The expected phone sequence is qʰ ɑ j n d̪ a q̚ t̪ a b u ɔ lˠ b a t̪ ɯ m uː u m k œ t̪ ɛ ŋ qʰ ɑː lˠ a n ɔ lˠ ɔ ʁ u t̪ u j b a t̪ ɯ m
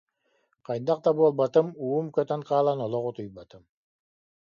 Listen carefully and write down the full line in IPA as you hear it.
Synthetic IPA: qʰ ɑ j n d̪ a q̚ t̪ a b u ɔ lˠ b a t̪ ɯ m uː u m k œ t̪ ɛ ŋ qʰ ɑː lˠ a n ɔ lˠ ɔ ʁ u t̪ u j b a t̪ ɯ m